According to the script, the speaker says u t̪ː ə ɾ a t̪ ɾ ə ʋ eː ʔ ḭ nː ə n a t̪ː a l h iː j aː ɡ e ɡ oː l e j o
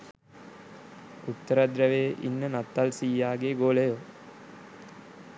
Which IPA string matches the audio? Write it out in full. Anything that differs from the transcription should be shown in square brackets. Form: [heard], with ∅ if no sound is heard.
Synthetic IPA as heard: u t̪ː ə ɾ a [d̪] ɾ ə ʋ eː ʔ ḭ nː ə n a t̪ː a l [s] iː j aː ɡ e ɡ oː l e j o